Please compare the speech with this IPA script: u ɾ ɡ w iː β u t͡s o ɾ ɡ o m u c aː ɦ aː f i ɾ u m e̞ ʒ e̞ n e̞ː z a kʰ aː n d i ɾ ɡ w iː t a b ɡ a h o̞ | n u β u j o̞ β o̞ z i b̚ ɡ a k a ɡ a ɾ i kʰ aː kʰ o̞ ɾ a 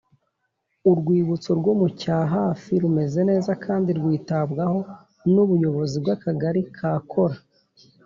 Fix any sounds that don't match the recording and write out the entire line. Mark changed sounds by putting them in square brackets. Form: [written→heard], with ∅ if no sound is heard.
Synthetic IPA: u ɾ ɡ w iː β u t͡s o ɾ ɡ o m u c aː ɦ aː f i ɾ u m e̞ [ʒ→z] e̞ n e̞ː z a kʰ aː n d i ɾ ɡ w iː t a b ɡ a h o̞ | n u β u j o̞ β o̞ z i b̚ ɡ a k a ɡ a ɾ i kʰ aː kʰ o̞ ɾ a